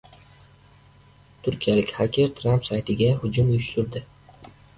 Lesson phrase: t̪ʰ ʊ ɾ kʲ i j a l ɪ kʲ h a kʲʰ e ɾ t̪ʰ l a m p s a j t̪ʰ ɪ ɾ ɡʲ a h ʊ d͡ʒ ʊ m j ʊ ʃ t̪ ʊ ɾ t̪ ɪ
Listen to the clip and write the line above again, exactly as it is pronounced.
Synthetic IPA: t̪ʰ ʊ ɾ kʲ i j a l ɪ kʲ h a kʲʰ e ɾ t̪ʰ ɾ a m p s a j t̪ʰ ɪ ɡʲ a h ʊ d͡ʒ ʊ m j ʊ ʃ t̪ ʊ ɾ d̪ ɪ